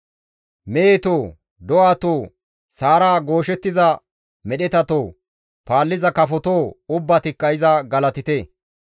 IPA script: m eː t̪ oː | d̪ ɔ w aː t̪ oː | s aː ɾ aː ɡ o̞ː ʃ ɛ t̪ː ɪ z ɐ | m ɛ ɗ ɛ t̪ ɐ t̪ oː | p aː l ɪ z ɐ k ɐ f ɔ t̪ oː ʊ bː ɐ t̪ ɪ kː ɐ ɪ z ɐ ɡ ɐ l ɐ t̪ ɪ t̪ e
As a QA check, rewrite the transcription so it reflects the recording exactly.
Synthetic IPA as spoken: m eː t̪ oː | d̪ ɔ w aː t̪ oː | s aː ɾ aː ɡ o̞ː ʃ ɛ t̪ː ɪ z ɐ | m ɛ ɗ ɛ t̪ ɐ t̪ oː | p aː lː ɪ z ɐ k ɐ f ɔ t̪ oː ʊ bː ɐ t̪ ɪ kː ɐ ɪ z ɐ ɡ ɐ l ɐ t̪ ɪ t̪ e

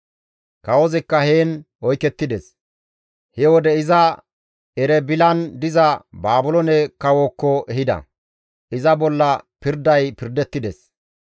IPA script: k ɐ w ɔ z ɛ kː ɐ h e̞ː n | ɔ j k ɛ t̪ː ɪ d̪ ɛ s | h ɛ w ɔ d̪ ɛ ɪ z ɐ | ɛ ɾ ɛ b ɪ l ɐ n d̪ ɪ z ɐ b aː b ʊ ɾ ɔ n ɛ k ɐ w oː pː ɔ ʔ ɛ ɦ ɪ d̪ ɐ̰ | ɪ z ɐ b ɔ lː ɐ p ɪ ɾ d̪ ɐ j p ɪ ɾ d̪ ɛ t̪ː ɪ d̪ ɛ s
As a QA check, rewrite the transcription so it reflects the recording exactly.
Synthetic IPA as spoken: k ɐ w ɔ z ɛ kː ɐ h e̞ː n | ɔ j k ɛ t̪ː ɪ d̪ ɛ s | h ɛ w ɔ d̪ ɛ ɪ z ɐ | ɛ ɾ ɛ b ɪ l ɐ n d̪ ɪ z ɐ b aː b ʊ l ɔ n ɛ k ɐ w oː kː ɔ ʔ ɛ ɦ ɪ d̪ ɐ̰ | ɪ z ɐ b ɔ lː ɐ p ɪ ɾ d̪ ɐ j p ɪ ɾ d̪ ɛ t̪ː ɪ d̪ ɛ s

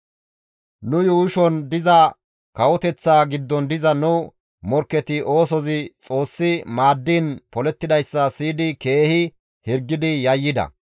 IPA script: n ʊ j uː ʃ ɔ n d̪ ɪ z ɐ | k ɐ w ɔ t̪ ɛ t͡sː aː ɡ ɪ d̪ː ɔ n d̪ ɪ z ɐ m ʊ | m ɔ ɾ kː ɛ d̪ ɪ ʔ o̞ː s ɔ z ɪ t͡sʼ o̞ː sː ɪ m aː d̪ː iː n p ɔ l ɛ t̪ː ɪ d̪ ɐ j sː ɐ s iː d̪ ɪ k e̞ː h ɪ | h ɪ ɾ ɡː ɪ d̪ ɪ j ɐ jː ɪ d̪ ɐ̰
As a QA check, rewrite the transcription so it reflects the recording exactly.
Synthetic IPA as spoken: n ʊ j uː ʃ ɔ n d̪ ɪ z ɐ | k ɐ w ɔ t̪ ɛ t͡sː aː ɡ ɪ d̪ː ɔ n d̪ ɪ z ɐ n ʊ | m ɔ ɾ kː ɛ t̪ ɪ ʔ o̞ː s ɔ z ɪ t͡sʼ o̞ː sː ɪ m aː d̪ː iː n p ɔ l ɛ t̪ː ɪ d̪ ɐ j sː ɐ s iː d̪ ɪ k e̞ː h ɪ | h ɪ ɾ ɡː ɪ d̪ ɪ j ɐ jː ɪ d̪ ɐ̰

